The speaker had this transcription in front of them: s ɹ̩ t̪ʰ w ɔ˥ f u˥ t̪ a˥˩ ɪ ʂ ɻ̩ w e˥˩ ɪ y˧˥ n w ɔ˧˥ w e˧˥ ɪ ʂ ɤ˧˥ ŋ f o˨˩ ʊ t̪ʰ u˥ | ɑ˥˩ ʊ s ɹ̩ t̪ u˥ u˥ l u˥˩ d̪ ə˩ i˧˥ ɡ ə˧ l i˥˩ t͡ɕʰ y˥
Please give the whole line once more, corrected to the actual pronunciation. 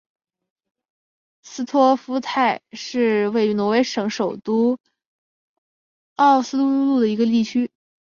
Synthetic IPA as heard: s ɹ̩ t̪ʰ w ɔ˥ f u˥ t̪ʰ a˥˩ ɪ ʂ ɻ̩ w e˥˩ ɪ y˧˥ n w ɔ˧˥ w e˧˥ ɪ ʂ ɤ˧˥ ŋ ʂ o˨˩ ʊ t̪ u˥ | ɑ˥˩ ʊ s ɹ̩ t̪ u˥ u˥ l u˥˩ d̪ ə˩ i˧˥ ɡ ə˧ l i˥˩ t͡ɕʰ y˥

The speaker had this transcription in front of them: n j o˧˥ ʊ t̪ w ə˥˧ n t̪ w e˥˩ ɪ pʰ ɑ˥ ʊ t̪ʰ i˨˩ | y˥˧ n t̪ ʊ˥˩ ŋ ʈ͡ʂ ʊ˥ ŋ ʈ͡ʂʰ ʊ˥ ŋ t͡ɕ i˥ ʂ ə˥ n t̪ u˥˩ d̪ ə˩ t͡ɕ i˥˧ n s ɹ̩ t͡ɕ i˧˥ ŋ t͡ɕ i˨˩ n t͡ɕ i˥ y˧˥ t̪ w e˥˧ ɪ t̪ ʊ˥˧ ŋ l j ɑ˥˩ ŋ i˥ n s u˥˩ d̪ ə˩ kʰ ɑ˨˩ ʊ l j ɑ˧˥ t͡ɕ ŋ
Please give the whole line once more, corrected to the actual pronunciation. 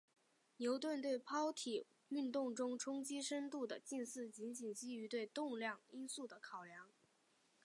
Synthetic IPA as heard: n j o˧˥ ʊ t̪ w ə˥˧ n t̪ w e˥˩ ɪ pʰ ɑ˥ ʊ t̪ʰ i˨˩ | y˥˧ n t̪ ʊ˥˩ ŋ ʈ͡ʂ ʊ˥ ŋ ʈ͡ʂʰ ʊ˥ ŋ t͡ɕ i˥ ʂ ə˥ n t̪ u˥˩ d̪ ə˩ t͡ɕ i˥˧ n s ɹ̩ t͡ɕ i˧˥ n t͡ɕ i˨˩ n t͡ɕ i˥ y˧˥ t̪ w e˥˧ ɪ t̪ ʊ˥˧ ŋ l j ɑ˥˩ ŋ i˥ n s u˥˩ d̪ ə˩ kʰ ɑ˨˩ ʊ l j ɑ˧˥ ŋ

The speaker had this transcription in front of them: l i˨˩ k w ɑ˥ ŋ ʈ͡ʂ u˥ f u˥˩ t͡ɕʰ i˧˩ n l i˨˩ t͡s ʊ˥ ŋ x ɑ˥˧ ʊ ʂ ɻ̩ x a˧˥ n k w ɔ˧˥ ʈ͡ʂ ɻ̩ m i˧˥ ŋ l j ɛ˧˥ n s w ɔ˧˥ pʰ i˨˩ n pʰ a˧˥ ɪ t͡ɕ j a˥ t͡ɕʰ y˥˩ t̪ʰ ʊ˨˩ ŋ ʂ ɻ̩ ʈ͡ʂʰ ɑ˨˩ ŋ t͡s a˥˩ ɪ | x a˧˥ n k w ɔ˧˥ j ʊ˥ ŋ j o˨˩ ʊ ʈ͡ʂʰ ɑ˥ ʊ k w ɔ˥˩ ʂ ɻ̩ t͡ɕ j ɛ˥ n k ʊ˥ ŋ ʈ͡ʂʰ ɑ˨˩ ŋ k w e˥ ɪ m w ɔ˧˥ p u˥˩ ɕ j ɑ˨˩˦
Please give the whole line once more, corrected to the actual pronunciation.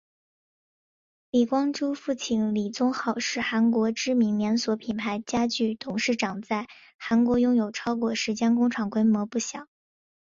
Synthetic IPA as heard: l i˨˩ k w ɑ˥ ŋ ʈ͡ʂ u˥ f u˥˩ t͡ɕʰ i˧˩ n l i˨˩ t͡s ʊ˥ ŋ x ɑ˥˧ ʊ ʂ ɻ̩ x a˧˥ n k w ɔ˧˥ ʈ͡ʂ ɻ̩ m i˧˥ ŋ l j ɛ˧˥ n s w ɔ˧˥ pʰ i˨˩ n pʰ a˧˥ ɪ t͡ɕ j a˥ t͡ɕ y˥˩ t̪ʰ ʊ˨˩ ŋ ʂ ɻ̩ ʈ͡ʂ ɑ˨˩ ŋ t͡s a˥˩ ɪ | x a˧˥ n k w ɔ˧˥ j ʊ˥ ŋ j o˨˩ ʊ ʈ͡ʂʰ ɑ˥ ʊ k w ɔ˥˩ ʂ ɻ̩ t͡ɕ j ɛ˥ n k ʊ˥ ŋ ʈ͡ʂʰ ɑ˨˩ ŋ k w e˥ ɪ m w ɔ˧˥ p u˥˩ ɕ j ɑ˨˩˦

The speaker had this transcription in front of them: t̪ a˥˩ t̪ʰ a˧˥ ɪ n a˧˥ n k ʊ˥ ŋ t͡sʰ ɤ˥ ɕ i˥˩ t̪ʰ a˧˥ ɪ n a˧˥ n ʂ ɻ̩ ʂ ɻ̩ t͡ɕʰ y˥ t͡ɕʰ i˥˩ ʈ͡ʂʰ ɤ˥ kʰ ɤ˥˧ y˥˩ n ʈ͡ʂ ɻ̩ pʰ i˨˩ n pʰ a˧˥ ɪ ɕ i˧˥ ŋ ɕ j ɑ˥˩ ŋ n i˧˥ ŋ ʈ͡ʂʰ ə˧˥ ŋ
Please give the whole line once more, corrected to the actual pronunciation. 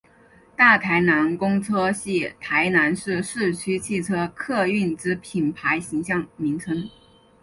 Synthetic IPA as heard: t̪ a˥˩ t̪ʰ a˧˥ ɪ n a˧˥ n k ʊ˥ ŋ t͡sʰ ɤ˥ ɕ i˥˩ t̪ʰ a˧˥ ɪ n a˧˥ n ʂ ɻ̩ ʂ ɻ̩ t͡ɕʰ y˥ t͡ɕʰ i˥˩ ʈ͡ʂʰ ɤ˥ kʰ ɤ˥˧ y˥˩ n ʈ͡ʂ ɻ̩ pʰ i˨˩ n pʰ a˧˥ ɪ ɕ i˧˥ ŋ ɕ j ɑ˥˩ ŋ m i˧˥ ŋ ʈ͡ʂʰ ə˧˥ ŋ

